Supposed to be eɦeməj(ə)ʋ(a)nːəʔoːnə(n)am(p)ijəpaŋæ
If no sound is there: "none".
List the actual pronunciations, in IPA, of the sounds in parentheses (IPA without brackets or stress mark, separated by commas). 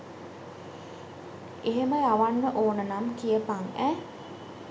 a, a, n, k